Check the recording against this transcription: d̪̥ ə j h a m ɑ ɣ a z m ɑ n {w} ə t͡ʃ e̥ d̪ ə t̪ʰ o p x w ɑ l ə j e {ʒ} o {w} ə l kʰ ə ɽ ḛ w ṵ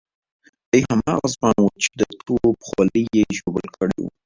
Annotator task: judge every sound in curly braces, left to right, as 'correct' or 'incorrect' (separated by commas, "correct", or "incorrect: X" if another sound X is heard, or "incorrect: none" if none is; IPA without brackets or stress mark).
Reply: correct, correct, incorrect: b